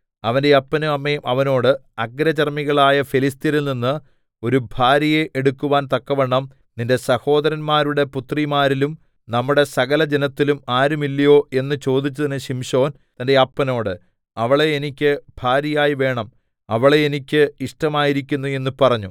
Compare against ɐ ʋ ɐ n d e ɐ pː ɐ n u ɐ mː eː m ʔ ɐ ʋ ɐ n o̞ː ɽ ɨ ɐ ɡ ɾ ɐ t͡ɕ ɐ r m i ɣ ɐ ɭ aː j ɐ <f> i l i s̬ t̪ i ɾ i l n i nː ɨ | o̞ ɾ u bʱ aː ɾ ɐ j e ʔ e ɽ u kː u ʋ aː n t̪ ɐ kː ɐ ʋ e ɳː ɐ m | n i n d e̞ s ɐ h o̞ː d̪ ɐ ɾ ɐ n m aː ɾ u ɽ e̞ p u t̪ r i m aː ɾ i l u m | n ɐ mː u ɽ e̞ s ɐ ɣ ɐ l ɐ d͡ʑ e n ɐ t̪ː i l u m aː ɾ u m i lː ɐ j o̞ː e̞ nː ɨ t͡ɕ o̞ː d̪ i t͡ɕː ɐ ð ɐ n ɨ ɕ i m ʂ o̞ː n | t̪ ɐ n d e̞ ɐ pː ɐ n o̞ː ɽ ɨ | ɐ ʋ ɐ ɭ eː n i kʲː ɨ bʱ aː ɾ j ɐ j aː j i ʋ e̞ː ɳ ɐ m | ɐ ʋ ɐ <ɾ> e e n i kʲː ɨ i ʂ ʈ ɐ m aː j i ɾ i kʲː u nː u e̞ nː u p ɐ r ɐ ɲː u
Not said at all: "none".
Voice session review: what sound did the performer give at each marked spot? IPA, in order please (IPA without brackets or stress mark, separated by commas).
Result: f, ɭ